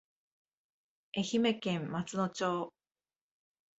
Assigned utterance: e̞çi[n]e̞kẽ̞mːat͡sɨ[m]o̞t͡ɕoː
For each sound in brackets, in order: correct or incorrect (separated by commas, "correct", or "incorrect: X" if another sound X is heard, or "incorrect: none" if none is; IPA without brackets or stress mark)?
incorrect: m, incorrect: n